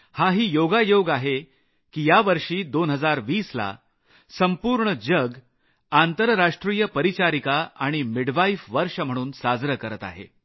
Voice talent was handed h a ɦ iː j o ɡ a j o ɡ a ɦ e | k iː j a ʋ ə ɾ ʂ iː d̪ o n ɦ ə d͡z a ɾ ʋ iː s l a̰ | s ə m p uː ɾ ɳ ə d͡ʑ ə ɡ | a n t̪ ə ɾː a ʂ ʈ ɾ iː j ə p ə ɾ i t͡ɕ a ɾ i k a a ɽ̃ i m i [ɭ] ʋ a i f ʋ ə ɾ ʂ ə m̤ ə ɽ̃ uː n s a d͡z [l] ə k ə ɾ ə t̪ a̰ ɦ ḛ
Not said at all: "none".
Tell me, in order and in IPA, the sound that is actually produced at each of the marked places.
ɽ, ɾ

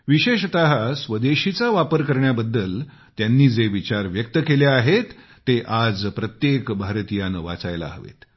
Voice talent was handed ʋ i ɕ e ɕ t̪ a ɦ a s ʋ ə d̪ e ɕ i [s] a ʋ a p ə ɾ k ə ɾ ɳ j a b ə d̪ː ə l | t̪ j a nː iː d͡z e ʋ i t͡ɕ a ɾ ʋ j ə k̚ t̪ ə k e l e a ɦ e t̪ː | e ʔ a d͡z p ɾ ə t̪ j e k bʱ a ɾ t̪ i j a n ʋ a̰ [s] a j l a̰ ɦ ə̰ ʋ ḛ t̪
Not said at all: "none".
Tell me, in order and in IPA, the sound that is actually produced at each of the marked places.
t͡s, t͡s

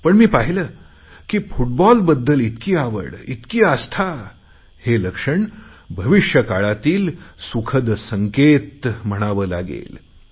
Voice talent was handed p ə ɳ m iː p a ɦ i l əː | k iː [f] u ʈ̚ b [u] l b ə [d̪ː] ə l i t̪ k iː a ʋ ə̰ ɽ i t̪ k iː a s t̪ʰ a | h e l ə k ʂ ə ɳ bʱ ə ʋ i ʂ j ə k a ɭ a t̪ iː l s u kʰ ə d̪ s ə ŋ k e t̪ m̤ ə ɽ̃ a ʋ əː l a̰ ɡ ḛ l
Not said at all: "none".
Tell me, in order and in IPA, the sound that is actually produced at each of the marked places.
f, ɔ, d̪ː

